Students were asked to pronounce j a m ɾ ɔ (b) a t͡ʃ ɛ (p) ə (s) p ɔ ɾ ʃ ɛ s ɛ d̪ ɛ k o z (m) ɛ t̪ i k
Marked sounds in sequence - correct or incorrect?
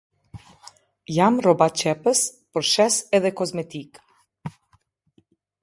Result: correct, correct, correct, correct

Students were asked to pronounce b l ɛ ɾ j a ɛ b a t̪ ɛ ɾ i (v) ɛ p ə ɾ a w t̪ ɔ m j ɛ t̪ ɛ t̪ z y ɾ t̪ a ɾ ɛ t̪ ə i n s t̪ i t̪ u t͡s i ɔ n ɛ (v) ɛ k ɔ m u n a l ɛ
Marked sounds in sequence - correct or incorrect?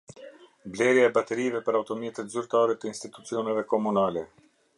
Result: correct, correct

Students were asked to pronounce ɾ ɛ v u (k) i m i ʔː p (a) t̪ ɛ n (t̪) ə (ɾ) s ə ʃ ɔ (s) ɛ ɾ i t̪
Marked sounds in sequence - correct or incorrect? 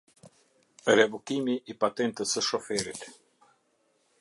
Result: correct, correct, correct, incorrect: none, incorrect: f

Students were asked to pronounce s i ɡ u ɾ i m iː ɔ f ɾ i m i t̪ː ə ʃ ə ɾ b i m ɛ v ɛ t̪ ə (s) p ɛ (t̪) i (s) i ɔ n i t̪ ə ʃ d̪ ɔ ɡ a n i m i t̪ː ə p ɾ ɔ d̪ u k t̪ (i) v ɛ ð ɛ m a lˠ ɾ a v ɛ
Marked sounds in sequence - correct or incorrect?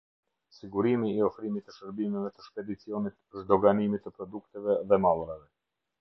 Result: incorrect: ʃ, incorrect: d̪, incorrect: t͡s, incorrect: ɛ

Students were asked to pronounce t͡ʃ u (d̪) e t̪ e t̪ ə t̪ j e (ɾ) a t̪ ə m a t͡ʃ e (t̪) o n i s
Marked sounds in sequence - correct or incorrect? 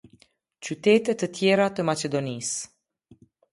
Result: incorrect: t̪, correct, incorrect: d̪

